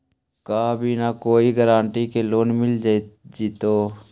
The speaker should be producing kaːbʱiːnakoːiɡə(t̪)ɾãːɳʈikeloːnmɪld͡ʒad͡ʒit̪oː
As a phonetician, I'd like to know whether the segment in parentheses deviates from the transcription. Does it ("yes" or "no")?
yes